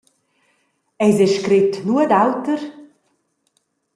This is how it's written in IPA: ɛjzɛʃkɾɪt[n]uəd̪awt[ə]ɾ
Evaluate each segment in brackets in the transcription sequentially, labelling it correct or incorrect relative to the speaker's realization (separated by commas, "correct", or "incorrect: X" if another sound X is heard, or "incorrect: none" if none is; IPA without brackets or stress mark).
correct, correct